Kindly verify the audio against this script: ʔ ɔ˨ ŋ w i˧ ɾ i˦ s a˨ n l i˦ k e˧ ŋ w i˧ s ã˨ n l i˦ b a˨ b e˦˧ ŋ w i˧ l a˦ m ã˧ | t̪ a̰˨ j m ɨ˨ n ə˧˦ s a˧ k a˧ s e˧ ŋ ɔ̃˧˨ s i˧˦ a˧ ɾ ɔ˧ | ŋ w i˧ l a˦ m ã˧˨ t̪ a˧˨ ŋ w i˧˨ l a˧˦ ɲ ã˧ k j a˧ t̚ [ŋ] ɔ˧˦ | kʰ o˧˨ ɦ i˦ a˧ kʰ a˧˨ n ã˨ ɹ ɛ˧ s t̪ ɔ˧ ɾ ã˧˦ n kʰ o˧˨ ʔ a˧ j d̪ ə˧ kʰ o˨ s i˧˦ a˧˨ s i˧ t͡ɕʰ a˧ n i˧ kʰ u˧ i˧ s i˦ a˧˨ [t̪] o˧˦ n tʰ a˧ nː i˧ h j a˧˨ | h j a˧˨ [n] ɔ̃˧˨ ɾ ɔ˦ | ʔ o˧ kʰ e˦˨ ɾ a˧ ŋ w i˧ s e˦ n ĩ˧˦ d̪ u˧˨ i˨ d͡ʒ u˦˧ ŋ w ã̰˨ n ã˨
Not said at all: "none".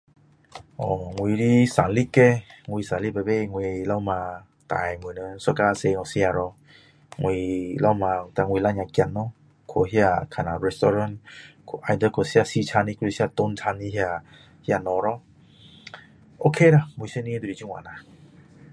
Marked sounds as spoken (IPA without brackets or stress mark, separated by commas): n, t̪, n